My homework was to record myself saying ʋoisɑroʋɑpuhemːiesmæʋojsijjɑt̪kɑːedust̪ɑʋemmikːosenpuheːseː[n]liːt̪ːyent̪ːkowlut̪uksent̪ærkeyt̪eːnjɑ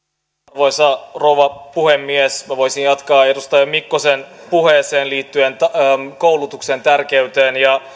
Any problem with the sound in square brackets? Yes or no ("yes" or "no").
no